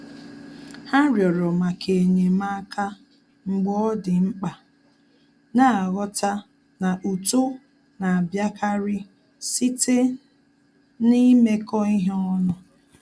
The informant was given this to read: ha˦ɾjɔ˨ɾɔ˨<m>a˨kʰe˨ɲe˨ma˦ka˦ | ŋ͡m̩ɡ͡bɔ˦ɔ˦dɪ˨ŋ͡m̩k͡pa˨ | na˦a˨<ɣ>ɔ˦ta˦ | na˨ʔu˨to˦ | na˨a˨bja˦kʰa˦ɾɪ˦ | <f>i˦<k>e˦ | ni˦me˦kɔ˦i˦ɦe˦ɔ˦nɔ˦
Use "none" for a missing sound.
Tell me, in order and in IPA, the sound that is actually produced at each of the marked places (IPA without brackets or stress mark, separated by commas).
m, ɣ, s, t